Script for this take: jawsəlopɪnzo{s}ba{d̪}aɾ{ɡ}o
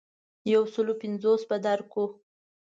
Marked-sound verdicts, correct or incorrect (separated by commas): correct, correct, incorrect